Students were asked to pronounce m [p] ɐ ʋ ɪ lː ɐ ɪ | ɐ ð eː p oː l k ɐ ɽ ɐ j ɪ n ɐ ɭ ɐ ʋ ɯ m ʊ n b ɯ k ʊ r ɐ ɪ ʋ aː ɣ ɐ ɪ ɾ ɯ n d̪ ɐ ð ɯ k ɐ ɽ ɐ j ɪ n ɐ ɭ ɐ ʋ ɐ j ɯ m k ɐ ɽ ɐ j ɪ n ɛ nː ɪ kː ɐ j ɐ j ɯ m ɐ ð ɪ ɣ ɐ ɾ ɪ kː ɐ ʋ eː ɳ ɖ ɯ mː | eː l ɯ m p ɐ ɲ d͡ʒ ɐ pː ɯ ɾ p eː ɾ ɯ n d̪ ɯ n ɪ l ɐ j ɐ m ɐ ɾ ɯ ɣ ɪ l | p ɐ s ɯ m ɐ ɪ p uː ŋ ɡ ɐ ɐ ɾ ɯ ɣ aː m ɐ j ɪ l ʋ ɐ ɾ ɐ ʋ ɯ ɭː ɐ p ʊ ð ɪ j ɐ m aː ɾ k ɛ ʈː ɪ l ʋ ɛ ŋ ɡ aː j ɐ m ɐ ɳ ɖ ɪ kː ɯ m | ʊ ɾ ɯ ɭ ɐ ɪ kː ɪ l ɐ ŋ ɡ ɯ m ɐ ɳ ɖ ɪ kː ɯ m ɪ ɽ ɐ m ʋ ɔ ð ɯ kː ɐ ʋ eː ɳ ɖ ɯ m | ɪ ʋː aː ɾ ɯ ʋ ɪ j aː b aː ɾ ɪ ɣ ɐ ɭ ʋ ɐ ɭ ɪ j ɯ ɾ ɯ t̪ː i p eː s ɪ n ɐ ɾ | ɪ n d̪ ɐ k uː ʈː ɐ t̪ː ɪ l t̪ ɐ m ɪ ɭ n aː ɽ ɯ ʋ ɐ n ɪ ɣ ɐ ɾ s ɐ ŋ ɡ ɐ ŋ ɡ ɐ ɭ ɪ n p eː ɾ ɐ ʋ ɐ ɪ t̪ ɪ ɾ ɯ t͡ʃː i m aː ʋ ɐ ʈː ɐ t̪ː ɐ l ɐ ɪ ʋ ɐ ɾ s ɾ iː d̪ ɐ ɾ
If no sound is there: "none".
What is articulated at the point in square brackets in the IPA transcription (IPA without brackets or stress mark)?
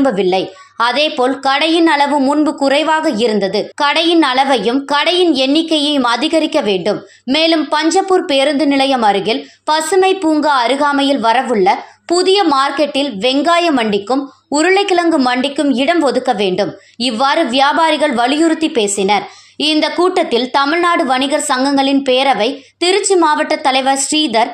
b